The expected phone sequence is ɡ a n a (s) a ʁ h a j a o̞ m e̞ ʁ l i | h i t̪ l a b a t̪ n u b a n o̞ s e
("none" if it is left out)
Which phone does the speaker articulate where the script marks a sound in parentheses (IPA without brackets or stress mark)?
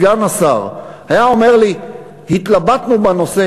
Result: s